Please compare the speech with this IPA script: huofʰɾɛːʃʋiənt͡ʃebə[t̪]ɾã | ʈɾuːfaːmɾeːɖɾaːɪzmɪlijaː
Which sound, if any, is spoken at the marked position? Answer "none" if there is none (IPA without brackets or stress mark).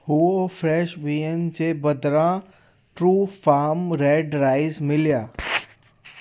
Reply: d̪